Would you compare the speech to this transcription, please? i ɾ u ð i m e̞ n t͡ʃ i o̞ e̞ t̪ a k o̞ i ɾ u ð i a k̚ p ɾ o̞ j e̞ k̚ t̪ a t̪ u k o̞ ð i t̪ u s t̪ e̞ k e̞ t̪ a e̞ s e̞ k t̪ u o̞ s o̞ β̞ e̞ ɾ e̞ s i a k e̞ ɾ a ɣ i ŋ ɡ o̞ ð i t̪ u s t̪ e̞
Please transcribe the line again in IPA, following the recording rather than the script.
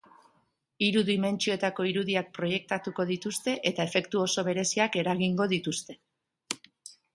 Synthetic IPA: i ɾ u ð i m e̞ n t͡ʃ i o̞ e̞ t̪ a k o̞ i ɾ u ð i a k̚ p ɾ o̞ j e̞ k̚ t̪ a t̪ u k o̞ ð i t̪ u s t̪ e̞ ʔ e̞ t̪ a e̞ f e̞ k t̪ u o̞ s o̞ β̞ e̞ ɾ e̞ s i a k e̞ ɾ a ɣ i ŋ ɡ o̞ ð i t̪ u s t̪ e̞